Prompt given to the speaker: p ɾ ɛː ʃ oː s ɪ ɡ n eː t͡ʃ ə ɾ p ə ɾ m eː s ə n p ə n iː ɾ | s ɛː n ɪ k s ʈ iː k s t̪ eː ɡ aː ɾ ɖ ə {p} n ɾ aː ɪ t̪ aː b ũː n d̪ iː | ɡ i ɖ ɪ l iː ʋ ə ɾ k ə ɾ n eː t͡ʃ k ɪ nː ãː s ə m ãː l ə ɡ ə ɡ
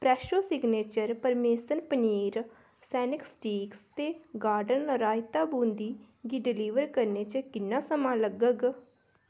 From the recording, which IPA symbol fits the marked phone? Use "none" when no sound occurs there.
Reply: none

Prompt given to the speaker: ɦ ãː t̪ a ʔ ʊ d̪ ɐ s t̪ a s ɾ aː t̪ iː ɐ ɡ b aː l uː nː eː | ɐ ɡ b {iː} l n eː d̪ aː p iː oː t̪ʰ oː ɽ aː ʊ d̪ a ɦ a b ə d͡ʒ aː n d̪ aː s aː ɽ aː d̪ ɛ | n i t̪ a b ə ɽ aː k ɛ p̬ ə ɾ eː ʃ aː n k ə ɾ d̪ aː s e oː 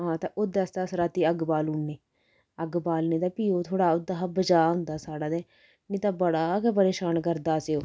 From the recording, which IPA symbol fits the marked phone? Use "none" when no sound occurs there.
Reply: aː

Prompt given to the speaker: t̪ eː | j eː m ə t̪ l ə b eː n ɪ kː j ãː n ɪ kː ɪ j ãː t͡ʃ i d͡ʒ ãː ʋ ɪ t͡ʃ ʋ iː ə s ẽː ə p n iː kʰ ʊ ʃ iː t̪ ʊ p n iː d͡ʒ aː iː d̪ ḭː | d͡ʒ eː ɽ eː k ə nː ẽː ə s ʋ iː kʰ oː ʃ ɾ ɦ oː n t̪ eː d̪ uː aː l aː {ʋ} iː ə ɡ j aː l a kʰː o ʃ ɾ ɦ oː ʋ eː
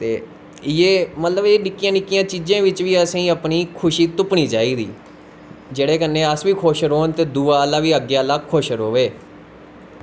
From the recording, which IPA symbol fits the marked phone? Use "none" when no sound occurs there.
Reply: ʋ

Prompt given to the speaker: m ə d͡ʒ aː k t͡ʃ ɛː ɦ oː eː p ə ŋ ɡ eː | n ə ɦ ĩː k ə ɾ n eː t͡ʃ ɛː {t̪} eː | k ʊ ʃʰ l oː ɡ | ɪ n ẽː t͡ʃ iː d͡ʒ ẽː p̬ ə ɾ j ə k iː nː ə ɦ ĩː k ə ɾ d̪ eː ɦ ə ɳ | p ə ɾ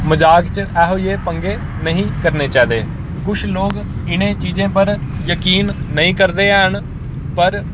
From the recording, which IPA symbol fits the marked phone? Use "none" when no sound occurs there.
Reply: d̪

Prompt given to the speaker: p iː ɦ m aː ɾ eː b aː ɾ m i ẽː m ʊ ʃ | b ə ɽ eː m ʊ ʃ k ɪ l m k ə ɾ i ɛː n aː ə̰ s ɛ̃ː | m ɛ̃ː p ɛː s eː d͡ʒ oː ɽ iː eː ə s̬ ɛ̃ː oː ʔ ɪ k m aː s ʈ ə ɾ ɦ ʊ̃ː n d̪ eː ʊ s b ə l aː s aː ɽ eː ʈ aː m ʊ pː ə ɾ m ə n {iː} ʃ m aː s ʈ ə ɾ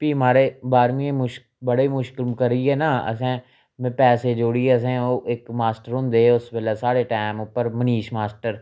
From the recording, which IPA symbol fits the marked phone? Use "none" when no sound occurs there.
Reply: iː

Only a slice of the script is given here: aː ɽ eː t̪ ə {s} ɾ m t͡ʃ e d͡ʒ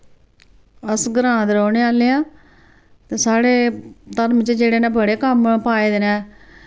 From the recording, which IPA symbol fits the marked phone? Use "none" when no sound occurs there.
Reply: none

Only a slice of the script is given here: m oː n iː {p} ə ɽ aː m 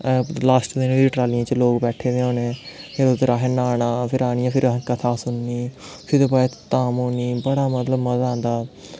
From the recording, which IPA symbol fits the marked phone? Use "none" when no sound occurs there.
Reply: b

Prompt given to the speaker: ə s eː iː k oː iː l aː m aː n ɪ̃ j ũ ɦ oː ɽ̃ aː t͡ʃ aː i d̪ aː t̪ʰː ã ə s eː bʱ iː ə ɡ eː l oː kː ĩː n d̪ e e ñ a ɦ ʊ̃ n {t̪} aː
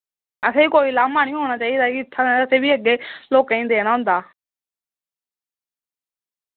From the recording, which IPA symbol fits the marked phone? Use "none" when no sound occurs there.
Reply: d̪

